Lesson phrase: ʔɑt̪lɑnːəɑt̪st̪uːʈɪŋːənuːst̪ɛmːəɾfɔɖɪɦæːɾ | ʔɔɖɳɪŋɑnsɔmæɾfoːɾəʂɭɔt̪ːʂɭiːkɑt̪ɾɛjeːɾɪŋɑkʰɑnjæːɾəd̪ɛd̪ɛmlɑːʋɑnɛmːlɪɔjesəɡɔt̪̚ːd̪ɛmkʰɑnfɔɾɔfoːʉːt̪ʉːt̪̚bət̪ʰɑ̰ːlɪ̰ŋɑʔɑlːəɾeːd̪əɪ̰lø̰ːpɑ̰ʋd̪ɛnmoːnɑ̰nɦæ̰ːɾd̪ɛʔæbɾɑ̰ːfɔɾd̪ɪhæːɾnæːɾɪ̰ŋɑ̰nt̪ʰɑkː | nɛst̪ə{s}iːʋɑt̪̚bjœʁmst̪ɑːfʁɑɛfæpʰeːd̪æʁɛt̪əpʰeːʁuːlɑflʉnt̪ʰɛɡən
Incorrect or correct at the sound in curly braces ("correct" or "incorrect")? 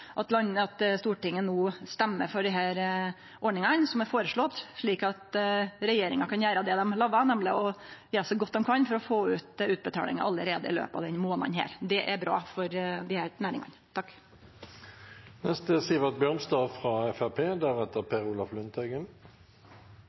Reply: correct